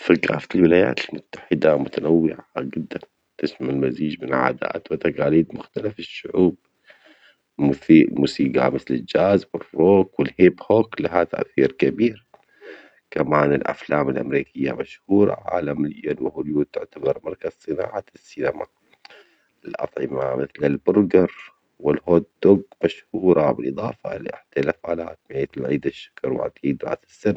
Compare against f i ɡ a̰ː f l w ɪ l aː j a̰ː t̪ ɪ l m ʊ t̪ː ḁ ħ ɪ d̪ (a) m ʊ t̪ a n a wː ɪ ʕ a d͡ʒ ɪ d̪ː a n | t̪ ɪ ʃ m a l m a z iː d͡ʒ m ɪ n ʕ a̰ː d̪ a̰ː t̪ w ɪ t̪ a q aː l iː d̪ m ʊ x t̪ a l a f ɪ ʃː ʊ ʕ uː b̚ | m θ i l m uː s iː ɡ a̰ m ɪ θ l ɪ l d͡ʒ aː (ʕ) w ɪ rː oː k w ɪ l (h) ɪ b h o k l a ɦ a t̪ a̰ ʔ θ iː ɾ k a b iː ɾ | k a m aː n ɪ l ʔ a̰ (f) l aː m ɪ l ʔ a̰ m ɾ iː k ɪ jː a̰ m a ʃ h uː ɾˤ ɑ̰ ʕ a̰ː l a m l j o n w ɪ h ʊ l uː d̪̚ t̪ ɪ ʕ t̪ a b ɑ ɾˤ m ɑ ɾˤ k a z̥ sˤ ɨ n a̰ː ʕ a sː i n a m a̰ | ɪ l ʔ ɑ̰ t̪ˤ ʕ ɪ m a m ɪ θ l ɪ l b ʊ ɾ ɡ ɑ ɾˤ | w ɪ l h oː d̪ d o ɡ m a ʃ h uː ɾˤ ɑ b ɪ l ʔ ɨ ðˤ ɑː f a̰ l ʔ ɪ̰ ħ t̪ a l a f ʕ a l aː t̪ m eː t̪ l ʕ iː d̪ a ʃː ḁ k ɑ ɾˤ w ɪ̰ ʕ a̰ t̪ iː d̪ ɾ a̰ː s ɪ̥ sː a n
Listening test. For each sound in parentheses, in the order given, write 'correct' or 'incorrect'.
correct, incorrect: z, correct, correct

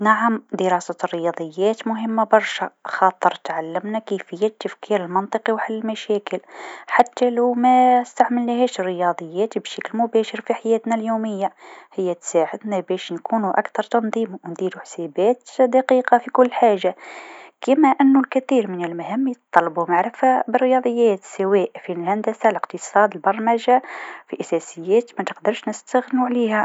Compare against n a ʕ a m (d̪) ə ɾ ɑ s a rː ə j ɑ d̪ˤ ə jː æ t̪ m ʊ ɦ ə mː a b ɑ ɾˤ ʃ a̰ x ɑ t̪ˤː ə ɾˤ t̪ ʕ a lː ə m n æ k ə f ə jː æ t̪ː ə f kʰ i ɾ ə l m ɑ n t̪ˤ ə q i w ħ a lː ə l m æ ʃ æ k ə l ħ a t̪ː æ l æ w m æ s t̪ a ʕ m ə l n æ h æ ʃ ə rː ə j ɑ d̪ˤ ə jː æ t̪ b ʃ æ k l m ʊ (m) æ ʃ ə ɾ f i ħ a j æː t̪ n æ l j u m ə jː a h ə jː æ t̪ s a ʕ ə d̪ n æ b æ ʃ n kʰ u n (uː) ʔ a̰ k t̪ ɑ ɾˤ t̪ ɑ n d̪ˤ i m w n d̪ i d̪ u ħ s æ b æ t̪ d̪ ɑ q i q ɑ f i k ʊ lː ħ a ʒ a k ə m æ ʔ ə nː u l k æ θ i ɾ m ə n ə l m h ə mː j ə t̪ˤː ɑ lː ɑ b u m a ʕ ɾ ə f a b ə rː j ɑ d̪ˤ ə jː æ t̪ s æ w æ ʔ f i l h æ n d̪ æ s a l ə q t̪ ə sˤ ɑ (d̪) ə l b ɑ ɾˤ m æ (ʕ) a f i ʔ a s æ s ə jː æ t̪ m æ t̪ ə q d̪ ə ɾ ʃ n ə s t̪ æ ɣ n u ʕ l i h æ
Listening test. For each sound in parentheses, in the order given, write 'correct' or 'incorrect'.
correct, incorrect: b, incorrect: u, correct, incorrect: ʒ

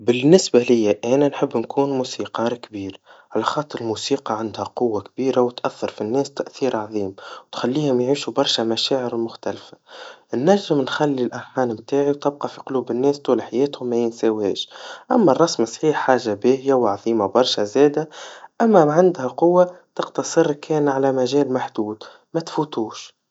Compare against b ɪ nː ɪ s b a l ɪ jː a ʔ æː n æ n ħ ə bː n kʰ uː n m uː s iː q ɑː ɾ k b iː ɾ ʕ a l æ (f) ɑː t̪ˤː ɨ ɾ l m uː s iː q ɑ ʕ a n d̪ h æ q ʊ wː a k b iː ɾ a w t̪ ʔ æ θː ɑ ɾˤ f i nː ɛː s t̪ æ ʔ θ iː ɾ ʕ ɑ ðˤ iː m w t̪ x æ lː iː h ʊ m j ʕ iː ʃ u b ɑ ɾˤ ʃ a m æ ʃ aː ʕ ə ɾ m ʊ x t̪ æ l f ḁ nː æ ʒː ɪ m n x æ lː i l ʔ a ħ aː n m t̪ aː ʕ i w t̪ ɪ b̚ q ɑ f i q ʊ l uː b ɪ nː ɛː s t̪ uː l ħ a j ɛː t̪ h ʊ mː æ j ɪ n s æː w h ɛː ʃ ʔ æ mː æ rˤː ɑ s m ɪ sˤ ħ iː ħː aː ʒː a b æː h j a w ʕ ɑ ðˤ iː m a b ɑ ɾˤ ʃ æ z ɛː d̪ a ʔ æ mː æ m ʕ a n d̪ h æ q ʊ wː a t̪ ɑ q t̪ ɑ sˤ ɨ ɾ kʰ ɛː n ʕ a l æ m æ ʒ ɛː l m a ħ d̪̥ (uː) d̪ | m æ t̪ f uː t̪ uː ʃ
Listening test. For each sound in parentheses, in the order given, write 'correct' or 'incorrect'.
incorrect: x, correct

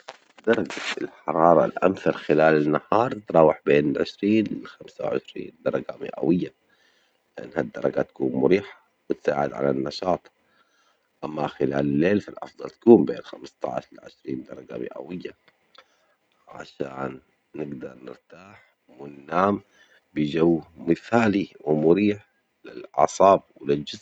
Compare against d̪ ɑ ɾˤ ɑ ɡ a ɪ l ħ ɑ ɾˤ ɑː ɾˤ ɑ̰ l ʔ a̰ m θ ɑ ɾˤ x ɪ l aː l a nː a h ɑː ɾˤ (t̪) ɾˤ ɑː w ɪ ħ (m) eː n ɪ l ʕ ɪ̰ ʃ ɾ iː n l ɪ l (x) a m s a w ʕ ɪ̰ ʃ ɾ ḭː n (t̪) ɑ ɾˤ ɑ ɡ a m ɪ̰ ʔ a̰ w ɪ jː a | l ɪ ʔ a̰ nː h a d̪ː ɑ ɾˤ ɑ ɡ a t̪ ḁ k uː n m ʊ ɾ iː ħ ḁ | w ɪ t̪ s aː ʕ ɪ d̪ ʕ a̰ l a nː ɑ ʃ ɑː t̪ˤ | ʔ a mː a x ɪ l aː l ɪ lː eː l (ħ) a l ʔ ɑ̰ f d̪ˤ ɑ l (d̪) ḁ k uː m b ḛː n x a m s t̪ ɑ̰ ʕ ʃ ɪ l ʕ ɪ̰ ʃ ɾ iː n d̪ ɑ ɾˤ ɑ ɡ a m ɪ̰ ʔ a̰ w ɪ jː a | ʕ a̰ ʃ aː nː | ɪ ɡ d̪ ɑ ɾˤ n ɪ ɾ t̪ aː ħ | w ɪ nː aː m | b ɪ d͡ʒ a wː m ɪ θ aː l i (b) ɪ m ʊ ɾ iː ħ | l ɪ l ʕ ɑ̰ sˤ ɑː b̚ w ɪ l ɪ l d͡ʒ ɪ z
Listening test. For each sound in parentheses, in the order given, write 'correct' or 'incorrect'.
correct, incorrect: b, correct, incorrect: d̪, incorrect: f, incorrect: t̪, incorrect: w

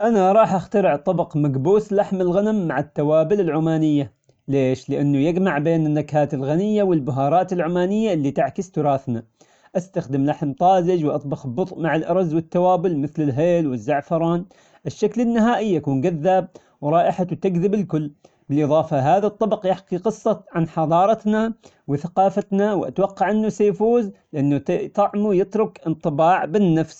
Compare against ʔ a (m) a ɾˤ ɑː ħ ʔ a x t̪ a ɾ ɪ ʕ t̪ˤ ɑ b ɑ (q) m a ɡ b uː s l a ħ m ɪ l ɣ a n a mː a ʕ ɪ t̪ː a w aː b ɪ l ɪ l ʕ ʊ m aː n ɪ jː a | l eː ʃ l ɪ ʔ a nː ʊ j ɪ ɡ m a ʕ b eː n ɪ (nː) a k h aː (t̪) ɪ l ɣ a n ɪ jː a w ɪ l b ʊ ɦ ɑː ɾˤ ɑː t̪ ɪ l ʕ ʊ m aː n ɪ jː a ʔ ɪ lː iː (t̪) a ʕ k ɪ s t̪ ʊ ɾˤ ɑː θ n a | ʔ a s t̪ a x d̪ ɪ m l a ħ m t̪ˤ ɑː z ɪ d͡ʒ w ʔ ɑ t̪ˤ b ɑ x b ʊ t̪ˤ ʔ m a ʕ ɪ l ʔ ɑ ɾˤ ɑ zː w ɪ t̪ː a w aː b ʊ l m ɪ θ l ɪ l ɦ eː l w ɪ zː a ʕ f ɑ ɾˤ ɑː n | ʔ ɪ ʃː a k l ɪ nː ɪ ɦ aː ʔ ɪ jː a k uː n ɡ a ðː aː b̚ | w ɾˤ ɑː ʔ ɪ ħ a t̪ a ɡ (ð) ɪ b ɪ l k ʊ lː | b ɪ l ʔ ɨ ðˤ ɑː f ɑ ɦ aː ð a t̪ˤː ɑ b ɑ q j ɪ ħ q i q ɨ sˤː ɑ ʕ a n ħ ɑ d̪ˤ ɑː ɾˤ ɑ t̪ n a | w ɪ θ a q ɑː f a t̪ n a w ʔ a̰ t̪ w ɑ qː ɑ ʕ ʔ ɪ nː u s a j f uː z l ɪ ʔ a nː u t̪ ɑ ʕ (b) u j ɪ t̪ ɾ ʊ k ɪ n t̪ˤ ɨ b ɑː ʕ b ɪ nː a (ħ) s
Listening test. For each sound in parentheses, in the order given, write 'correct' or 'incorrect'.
incorrect: n, correct, correct, correct, correct, correct, incorrect: m, incorrect: f

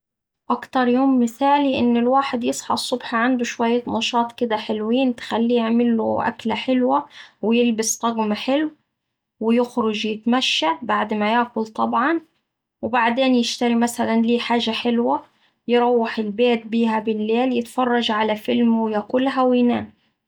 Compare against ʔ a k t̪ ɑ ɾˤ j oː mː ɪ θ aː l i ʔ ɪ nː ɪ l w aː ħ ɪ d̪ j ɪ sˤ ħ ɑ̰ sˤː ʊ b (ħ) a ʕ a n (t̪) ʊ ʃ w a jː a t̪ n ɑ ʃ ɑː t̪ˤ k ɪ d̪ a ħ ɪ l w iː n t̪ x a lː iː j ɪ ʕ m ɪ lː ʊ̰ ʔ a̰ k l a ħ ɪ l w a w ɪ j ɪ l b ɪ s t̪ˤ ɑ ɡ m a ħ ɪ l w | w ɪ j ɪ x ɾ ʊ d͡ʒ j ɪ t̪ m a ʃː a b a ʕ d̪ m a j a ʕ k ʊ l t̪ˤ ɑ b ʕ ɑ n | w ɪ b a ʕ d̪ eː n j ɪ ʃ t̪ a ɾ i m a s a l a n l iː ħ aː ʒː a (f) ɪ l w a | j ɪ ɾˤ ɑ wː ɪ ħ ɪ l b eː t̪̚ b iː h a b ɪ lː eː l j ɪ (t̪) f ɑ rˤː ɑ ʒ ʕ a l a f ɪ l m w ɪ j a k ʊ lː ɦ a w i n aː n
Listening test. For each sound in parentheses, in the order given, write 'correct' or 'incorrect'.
correct, incorrect: d̪, incorrect: ħ, correct

